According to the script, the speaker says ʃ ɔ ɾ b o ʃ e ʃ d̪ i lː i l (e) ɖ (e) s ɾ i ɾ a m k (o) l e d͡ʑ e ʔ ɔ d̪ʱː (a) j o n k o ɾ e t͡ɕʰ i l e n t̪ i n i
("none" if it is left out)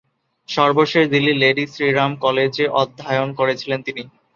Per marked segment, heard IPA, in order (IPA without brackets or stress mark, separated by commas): e, i, ɔ, a